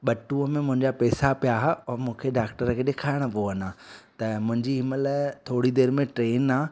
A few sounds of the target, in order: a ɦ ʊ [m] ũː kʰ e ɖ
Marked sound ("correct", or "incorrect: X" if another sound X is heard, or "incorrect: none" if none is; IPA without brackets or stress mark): correct